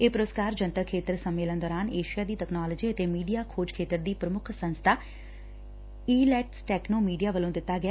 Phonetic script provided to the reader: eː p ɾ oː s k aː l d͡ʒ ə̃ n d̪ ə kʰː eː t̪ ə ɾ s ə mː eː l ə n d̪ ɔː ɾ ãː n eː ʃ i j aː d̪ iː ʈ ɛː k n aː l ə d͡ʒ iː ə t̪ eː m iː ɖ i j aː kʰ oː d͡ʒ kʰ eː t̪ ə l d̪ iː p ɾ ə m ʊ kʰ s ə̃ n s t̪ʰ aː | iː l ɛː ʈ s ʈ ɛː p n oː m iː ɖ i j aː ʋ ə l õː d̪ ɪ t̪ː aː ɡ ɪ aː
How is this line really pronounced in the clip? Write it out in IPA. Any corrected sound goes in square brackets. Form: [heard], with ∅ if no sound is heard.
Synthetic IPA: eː p ɾ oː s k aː [ɾ] d͡ʒ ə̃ n [t̪] ə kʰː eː t̪ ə ɾ s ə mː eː l ə n d̪ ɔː ɾ [aː] n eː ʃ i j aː d̪ iː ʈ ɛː k n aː l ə d͡ʒ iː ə t̪ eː m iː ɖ i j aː kʰ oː d͡ʒ kʰ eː t̪ ə [ɾ] d̪ iː p ɾ ə m ʊ kʰ s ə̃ n s t̪ʰ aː | iː l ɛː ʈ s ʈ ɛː [k] n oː m iː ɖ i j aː ʋ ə l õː d̪ ɪ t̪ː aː ɡ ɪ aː